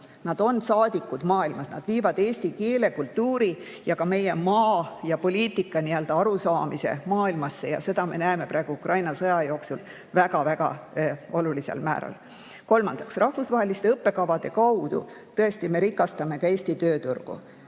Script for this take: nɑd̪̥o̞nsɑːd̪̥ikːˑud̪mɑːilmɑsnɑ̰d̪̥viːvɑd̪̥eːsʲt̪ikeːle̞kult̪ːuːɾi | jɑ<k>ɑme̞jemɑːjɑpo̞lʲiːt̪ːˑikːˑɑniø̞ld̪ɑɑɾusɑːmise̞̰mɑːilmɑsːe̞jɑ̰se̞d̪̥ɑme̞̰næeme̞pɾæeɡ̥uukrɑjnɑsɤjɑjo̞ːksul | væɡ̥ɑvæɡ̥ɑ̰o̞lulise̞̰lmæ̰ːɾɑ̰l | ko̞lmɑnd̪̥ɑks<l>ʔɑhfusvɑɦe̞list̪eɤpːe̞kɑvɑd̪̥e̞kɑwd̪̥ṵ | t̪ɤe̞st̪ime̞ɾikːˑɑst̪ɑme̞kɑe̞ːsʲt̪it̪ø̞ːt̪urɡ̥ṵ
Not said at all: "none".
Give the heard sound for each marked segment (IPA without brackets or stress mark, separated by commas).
k, r